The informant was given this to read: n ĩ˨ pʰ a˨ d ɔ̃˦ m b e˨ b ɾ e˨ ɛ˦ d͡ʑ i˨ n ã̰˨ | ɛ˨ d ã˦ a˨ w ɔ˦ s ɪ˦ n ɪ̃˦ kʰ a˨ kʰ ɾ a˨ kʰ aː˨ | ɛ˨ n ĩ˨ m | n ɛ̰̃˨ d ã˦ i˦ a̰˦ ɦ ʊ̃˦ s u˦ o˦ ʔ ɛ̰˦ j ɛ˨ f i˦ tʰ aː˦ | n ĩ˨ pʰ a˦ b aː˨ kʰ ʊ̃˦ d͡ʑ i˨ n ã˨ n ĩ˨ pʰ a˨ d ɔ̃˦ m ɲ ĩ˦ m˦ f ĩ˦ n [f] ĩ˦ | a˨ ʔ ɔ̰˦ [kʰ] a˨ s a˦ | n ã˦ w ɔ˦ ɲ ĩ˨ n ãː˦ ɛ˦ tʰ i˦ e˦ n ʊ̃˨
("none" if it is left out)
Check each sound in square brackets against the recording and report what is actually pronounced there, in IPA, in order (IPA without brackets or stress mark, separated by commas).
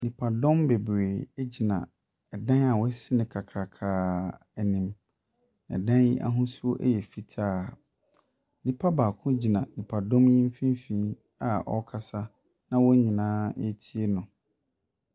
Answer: f, kʰ